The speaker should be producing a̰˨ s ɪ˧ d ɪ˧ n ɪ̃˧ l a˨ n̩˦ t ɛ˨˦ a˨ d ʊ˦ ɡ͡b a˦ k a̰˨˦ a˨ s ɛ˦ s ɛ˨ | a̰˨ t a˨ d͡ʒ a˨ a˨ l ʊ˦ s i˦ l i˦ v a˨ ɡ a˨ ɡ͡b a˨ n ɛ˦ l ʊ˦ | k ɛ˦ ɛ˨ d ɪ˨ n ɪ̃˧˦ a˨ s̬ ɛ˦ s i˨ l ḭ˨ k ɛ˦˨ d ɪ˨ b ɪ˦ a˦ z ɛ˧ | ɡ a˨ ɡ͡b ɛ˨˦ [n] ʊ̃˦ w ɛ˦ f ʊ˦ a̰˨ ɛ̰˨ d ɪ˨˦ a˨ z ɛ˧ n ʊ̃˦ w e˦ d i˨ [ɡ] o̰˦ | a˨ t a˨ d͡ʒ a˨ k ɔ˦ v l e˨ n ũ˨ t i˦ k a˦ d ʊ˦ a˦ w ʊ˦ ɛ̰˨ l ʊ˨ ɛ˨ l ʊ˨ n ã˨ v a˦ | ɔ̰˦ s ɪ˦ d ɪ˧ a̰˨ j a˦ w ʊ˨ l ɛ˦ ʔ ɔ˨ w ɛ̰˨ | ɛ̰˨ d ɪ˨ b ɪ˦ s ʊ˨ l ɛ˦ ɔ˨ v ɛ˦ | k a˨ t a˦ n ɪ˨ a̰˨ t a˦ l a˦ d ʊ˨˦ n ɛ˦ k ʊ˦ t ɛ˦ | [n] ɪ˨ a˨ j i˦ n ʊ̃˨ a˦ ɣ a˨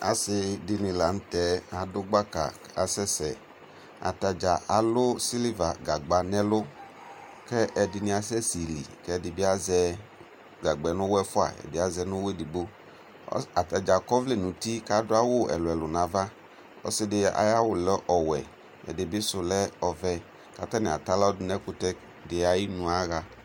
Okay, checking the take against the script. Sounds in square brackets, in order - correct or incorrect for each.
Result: correct, incorrect: ɡ͡b, incorrect: d

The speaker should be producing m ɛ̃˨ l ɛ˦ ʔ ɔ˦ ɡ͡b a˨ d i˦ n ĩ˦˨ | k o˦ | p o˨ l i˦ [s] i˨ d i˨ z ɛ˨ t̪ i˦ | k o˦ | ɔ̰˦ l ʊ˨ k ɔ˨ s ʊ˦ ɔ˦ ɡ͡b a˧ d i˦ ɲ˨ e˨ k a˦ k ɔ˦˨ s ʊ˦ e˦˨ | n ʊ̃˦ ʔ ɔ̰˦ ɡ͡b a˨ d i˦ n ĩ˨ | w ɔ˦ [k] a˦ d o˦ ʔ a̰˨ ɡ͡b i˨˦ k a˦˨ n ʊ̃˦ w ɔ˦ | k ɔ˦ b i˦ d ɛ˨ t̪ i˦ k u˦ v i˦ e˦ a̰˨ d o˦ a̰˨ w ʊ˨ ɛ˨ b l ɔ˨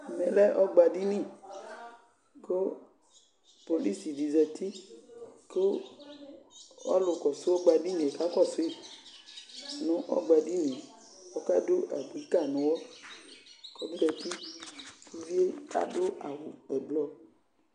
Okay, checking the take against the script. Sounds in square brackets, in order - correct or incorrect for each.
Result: correct, correct

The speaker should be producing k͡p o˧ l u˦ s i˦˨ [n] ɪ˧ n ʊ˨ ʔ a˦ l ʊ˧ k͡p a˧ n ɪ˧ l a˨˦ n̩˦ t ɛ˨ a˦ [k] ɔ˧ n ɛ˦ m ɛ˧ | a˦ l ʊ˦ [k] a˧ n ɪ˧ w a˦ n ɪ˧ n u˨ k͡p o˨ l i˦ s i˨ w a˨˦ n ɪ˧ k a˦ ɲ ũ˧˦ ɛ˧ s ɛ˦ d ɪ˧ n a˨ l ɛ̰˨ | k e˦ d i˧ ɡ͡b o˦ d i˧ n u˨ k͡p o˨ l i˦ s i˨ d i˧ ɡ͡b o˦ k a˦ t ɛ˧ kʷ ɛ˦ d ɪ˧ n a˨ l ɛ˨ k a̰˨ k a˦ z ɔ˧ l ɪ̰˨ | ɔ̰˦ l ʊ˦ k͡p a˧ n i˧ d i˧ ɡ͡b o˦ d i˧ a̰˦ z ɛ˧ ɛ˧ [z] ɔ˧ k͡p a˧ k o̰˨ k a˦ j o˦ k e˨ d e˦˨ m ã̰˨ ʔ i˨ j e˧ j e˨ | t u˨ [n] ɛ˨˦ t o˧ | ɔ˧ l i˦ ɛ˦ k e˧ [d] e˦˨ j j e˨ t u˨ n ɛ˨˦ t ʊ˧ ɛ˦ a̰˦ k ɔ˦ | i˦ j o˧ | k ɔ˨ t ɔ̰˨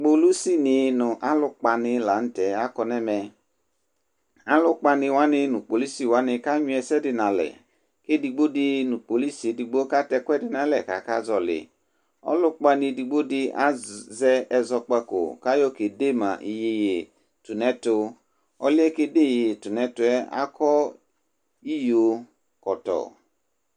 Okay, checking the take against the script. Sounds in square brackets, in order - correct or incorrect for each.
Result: correct, correct, incorrect: k͡p, correct, correct, correct

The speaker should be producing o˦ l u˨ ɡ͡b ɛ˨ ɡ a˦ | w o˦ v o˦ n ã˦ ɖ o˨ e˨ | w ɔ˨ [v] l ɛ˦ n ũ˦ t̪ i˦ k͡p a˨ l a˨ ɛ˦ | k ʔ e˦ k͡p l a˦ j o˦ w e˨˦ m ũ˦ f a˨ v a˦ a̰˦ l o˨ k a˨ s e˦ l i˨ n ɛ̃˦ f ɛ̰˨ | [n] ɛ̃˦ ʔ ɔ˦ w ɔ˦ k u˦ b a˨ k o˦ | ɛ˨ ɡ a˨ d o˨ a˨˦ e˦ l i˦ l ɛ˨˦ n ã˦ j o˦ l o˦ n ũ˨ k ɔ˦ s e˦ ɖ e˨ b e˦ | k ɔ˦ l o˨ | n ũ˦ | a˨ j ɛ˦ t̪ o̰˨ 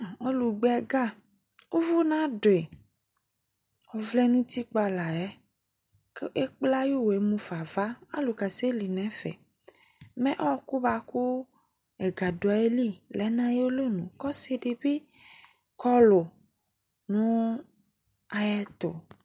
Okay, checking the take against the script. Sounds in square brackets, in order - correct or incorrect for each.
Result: correct, incorrect: m

